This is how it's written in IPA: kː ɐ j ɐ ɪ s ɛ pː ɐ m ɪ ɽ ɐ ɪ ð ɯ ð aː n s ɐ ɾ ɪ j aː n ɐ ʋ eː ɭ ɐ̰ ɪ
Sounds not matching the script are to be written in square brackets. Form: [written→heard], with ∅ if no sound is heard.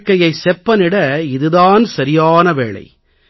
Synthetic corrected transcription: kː ɐ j ɐ ɪ s ɛ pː ɐ [m→n] ɪ ɽ ɐ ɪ ð ɯ ð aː n s ɐ ɾ ɪ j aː n ɐ ʋ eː ɭ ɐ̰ ɪ